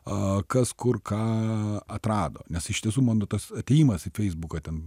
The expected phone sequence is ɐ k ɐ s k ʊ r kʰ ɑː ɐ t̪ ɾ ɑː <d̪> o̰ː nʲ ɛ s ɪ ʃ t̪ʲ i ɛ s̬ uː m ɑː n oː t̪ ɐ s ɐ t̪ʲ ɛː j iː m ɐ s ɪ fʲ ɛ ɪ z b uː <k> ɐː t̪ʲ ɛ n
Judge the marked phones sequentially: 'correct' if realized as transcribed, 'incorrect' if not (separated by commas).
correct, correct